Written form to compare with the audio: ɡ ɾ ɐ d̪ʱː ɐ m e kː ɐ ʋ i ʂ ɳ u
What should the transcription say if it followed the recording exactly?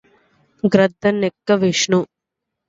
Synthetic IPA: ɡ ɾ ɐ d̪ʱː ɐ n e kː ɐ ʋ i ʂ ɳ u